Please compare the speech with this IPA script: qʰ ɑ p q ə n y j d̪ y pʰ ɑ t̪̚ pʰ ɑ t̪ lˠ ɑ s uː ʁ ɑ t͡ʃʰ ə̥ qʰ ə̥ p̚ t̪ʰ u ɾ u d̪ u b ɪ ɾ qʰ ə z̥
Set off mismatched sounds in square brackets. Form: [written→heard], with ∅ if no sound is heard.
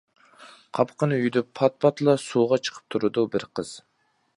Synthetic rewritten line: qʰ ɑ p q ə n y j d̪ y pʰ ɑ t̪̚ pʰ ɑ t̪ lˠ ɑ s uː ʁ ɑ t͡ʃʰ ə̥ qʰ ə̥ p̚ t̪ʰ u ɾ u d̪ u b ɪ ɾ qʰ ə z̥